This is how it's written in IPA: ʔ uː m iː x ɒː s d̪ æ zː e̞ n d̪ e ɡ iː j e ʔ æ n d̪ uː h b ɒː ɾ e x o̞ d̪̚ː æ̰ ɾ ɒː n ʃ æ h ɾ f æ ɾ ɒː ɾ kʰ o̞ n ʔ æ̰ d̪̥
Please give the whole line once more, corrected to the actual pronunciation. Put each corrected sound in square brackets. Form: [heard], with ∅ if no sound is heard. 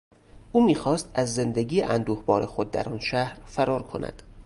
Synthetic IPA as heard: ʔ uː m iː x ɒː s [t̪] æ zː e̞ n d̪ e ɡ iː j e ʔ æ n d̪ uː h b ɒː ɾ e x o̞ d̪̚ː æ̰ ɾ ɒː n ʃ æ h ɾ f æ ɾ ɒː ɾ kʰ o̞ n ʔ æ̰ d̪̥